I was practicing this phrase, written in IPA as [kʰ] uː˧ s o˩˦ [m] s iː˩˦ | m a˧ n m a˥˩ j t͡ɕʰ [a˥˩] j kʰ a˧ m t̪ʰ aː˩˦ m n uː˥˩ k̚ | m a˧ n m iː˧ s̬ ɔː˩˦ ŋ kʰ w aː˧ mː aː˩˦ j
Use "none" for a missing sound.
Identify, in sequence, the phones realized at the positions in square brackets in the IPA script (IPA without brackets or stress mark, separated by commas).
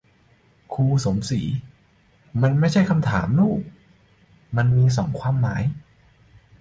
kʰ, m, a˥˩